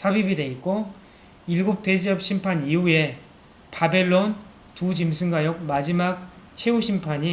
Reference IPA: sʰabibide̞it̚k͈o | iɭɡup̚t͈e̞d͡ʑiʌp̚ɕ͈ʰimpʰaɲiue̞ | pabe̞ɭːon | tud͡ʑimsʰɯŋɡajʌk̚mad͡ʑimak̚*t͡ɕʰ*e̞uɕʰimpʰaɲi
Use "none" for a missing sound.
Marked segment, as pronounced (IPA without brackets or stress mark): t͡ɕʰ